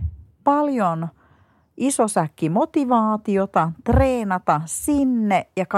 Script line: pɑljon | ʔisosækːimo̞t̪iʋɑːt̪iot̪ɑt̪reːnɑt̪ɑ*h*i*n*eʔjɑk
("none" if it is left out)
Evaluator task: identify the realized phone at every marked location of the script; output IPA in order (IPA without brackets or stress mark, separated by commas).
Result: s, nː